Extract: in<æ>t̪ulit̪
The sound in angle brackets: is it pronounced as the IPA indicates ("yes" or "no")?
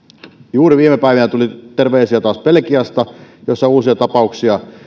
yes